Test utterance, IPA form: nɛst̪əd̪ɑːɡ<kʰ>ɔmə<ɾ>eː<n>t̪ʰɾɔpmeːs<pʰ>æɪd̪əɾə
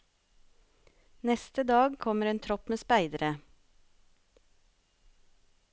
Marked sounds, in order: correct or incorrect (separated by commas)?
correct, correct, correct, incorrect